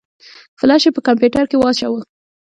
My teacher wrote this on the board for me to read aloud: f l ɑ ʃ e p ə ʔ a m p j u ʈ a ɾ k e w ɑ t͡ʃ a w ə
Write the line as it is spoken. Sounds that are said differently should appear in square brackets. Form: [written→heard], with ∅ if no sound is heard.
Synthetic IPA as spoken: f l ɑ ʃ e p ə [ʔ→k] a m p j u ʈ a ɾ k e w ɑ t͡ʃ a w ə